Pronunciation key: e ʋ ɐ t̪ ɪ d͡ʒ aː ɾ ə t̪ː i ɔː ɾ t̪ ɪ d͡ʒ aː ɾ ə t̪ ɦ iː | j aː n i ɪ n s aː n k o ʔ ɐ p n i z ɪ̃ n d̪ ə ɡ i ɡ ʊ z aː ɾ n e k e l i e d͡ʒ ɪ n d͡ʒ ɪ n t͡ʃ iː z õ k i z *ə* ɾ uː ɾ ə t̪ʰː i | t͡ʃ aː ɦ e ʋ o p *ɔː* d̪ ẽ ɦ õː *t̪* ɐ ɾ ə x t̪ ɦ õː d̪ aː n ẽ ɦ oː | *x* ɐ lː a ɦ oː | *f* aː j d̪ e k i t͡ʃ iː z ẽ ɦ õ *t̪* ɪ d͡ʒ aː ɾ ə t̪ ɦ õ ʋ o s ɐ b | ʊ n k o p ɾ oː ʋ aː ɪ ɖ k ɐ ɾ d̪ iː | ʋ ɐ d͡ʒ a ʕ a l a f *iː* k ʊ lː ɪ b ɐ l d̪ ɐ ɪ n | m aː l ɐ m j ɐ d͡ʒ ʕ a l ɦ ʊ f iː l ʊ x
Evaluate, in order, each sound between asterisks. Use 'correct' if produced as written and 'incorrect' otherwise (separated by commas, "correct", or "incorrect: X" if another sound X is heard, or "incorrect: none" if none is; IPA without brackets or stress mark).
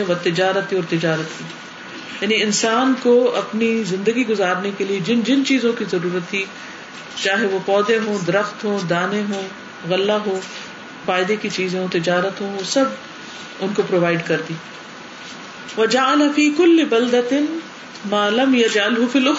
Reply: incorrect: ɐ, correct, incorrect: d̪, incorrect: ɣ, correct, correct, correct